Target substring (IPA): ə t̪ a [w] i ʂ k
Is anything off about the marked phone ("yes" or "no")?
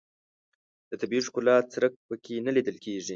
yes